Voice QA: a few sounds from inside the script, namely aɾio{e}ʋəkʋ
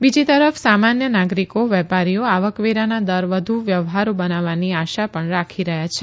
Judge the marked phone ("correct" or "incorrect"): incorrect